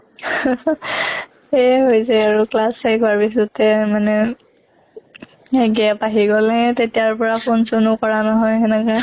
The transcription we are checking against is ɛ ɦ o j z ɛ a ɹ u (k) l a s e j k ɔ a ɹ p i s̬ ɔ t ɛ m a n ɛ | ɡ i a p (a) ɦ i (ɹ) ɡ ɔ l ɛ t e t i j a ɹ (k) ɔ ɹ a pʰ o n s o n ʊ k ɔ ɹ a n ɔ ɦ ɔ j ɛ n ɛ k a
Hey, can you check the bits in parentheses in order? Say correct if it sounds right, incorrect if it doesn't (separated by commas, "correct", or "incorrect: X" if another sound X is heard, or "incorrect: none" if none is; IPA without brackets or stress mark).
correct, correct, incorrect: none, incorrect: p